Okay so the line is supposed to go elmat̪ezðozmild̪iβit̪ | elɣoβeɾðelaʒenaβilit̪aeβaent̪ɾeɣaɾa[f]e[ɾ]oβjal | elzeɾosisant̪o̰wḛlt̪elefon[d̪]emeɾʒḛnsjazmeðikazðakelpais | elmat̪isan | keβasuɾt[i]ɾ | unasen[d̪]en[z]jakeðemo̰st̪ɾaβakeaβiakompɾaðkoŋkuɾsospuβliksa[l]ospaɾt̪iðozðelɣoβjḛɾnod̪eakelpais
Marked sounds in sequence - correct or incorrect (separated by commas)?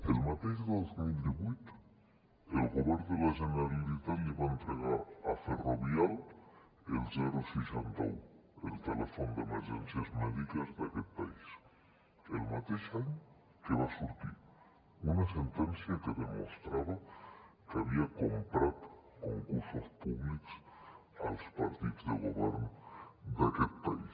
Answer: correct, incorrect, correct, correct, incorrect, incorrect, correct